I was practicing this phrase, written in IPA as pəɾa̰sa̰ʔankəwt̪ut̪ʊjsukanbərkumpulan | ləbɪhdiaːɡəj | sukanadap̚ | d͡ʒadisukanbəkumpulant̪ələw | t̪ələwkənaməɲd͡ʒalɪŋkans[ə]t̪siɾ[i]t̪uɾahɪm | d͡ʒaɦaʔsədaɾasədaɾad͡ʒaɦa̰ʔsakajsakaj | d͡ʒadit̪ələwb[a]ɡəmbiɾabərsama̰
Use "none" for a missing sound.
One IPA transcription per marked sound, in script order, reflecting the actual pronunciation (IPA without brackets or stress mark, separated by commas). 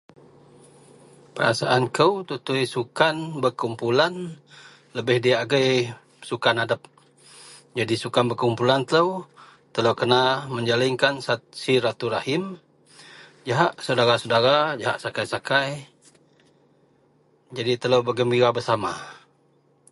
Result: a, a, ə